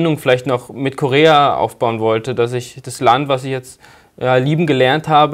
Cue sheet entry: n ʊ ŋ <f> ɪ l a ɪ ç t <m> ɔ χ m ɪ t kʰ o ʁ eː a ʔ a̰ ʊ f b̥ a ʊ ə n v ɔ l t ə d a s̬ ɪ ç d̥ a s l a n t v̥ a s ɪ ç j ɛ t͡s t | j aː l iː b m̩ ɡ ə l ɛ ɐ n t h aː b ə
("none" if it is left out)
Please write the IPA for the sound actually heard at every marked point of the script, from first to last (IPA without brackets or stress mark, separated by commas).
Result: f, n